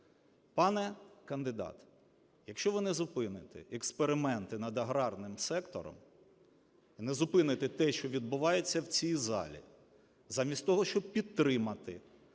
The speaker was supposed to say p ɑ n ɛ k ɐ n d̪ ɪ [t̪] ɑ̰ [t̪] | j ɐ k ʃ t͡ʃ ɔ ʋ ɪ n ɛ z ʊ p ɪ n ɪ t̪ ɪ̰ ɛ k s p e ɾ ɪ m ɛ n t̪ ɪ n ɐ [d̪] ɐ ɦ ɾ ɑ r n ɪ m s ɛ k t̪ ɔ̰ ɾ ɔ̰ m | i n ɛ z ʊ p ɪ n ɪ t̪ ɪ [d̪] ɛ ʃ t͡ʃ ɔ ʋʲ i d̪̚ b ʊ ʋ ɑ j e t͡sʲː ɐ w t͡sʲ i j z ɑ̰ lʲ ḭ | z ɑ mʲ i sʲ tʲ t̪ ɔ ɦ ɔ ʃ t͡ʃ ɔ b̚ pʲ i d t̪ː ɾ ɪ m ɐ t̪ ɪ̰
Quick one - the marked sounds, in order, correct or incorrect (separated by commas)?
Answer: incorrect, correct, correct, incorrect